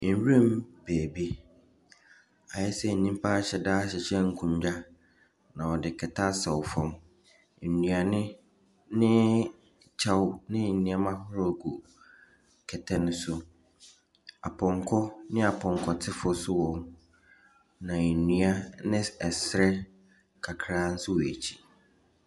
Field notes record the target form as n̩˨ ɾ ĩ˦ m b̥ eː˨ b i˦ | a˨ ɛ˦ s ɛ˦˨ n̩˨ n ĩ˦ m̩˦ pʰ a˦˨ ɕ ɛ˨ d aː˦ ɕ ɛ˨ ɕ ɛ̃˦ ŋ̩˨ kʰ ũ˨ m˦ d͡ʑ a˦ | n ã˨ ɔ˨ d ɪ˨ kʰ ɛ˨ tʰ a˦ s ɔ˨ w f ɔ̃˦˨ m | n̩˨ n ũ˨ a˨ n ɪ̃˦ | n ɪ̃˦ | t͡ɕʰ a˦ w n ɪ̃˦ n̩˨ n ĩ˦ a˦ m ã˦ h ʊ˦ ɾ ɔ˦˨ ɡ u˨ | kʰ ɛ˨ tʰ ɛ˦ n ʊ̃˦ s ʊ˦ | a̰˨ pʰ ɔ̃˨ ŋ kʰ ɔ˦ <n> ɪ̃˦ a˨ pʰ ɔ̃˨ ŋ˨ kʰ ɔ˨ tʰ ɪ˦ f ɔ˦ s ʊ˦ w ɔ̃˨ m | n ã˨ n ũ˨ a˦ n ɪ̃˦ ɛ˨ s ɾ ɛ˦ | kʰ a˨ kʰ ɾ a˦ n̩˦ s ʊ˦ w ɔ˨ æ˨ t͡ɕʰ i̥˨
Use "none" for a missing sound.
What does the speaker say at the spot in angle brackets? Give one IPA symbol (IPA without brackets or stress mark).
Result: n